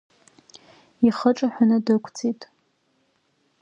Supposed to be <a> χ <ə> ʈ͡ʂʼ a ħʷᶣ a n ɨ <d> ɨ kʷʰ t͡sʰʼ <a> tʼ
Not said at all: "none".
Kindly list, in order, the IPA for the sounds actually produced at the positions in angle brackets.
i, ə, d, i

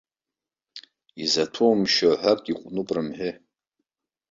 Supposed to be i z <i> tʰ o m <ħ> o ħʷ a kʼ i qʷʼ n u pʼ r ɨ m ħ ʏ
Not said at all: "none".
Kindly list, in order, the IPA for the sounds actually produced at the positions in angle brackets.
a, ʃ

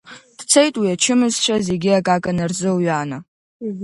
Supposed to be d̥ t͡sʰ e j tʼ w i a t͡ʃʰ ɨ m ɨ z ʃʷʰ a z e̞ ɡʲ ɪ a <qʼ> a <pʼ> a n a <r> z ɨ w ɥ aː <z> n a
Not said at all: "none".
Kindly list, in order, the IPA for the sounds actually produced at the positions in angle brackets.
kʼ, kʼ, r, none

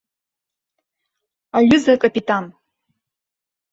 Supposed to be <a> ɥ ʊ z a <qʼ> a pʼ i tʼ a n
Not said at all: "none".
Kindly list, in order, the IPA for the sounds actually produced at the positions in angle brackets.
a, kʼ

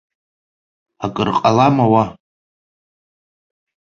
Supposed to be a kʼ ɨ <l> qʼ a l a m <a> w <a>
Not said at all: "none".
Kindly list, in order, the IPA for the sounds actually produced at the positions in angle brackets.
r, a, a

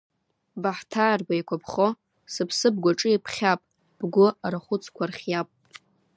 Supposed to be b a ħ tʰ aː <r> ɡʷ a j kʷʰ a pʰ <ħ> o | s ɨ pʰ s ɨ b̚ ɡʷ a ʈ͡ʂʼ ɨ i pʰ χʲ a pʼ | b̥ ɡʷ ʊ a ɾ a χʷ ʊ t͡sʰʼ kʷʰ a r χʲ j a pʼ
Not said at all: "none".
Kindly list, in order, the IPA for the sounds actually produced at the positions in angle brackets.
r, χ

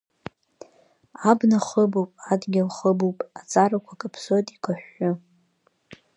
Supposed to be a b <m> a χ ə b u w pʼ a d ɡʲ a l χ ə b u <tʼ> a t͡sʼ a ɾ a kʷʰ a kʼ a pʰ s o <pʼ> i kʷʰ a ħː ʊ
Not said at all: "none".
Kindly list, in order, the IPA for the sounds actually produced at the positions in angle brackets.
n, pʼ, tʼ

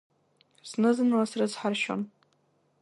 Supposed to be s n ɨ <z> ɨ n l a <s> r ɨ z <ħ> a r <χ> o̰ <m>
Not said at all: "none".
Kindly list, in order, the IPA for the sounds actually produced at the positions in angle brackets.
z, s, ħ, ʃ, n

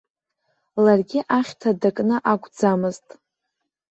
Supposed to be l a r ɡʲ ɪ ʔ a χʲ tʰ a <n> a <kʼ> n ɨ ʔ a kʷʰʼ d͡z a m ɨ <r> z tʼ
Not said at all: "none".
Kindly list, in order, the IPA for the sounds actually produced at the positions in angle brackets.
d, kʼ, none

